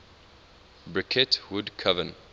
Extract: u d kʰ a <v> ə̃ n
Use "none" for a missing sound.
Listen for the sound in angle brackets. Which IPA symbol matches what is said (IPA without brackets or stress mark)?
v